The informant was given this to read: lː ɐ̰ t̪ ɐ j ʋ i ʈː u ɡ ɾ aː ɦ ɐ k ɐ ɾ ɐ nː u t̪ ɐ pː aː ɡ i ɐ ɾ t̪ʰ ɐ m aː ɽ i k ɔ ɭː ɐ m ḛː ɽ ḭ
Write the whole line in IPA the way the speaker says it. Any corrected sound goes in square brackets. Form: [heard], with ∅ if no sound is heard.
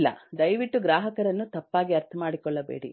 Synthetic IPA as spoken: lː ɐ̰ [d̪] ɐ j ʋ i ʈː u ɡ ɾ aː ɦ ɐ k ɐ ɾ ɐ nː u t̪ ɐ pː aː ɡ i ɐ ɾ t̪ʰ ɐ m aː ɽ i k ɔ ɭː ɐ [b] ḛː ɽ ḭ